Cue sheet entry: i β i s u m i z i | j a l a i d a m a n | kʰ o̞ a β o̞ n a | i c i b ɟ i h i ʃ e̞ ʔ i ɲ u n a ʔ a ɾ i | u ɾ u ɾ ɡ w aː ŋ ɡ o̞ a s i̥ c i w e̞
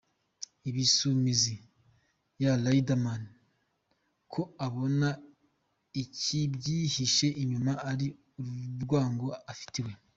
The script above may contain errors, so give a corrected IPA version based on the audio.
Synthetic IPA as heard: i β i s u m i z i | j a l a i d a m a n | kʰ o̞ a β o̞ n a | i c i b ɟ i h i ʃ e̞ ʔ i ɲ u m a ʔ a ɾ i | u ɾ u ɾ ɡ w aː ŋ ɡ o̞ a f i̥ t i w e̞